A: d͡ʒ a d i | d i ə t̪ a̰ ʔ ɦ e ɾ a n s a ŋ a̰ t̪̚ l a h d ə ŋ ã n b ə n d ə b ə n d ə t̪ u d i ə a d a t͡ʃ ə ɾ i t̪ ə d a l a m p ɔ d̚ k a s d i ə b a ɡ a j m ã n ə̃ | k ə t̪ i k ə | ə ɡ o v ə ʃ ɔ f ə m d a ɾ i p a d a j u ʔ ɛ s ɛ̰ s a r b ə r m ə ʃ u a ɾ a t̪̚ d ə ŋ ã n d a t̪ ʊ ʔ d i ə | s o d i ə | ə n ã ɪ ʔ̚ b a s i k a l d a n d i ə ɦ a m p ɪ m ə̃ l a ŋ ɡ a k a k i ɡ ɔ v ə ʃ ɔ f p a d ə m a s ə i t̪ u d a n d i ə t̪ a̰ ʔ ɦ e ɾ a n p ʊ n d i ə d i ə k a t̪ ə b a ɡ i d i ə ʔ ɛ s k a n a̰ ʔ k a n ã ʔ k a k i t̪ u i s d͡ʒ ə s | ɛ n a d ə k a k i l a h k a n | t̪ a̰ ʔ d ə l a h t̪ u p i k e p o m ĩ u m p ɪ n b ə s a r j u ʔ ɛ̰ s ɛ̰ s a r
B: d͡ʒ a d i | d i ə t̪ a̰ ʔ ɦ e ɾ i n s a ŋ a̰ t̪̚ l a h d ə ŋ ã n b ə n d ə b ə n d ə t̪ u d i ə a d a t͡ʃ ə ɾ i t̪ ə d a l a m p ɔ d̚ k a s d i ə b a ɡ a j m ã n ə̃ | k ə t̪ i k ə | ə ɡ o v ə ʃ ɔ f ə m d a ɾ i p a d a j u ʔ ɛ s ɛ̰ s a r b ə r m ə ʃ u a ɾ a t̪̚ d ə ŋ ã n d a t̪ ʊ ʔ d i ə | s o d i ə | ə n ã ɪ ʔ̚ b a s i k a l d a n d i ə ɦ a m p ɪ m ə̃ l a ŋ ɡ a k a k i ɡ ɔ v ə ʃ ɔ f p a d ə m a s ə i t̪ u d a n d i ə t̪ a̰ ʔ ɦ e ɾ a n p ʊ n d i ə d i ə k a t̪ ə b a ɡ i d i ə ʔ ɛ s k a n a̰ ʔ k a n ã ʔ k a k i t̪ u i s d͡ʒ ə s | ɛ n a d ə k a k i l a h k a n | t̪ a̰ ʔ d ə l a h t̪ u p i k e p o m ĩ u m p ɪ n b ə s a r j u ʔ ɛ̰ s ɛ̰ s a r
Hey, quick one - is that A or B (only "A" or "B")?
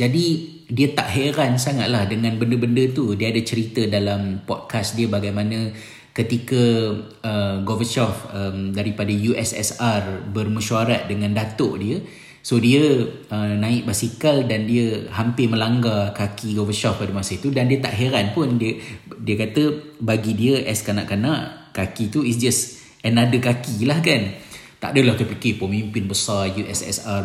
A